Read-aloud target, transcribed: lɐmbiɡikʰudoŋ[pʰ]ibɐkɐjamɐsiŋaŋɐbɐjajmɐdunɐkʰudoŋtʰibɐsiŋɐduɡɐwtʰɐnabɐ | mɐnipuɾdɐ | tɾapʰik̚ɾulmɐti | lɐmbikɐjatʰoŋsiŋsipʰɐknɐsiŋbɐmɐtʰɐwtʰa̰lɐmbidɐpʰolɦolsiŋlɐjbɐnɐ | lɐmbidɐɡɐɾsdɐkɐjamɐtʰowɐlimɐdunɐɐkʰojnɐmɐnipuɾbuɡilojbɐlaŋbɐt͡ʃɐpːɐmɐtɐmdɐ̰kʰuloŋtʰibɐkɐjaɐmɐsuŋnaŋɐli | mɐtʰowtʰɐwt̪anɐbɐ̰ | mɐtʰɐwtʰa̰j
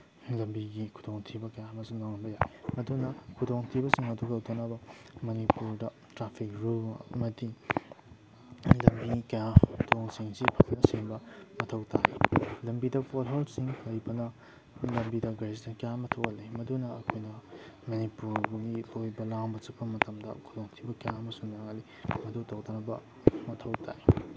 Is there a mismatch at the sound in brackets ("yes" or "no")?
yes